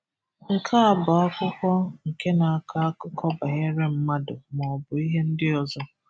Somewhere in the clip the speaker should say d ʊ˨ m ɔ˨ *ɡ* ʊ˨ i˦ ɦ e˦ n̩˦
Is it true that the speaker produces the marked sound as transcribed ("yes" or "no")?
no